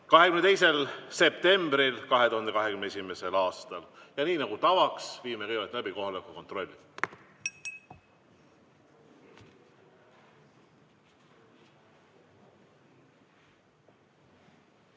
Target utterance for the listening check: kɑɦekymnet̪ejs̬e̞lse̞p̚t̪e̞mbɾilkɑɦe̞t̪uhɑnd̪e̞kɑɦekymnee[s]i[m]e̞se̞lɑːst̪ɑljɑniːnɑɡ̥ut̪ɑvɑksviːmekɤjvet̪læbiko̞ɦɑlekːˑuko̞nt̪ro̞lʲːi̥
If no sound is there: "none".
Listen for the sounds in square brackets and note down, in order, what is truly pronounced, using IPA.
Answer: s, m

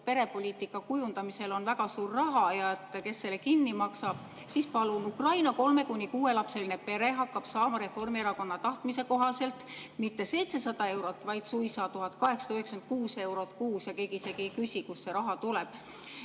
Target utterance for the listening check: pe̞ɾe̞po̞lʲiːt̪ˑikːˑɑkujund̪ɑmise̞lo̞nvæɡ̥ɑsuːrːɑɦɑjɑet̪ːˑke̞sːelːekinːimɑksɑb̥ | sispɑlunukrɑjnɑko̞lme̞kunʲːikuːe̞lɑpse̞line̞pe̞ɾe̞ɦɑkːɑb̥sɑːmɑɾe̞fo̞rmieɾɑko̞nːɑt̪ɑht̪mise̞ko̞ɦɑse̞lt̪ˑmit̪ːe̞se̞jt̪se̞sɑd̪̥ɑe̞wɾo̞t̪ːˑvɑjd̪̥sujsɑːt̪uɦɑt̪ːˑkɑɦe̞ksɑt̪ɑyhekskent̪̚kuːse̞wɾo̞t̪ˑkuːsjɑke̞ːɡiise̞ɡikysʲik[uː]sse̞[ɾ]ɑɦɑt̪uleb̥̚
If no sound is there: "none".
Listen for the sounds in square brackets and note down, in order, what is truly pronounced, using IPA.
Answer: u, ɾ

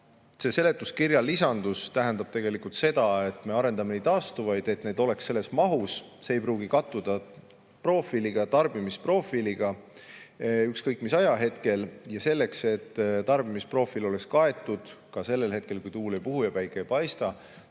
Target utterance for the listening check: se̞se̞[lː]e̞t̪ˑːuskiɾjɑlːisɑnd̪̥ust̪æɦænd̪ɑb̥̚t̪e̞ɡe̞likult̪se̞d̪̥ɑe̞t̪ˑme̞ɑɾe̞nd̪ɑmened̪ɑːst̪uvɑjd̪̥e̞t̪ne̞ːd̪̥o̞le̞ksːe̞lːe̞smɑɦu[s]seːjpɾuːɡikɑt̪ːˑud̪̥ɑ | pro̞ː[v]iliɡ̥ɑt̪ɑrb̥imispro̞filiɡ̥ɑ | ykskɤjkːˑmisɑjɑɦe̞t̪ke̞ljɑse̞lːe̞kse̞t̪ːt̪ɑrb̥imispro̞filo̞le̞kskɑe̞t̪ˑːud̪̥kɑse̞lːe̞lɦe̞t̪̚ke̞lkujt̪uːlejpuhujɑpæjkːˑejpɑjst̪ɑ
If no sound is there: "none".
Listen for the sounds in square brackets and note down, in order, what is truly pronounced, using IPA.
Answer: l, s, f

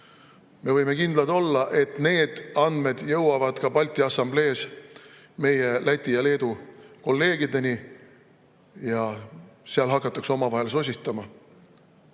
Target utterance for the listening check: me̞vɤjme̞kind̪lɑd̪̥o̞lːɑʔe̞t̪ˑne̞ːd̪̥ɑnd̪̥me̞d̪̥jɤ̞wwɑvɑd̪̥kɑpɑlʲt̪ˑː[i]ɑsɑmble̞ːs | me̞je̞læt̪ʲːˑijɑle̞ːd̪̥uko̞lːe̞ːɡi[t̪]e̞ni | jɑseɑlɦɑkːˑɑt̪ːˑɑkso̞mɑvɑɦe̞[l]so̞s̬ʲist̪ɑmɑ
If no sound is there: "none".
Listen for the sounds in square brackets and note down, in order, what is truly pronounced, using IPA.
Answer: i, d̪, l

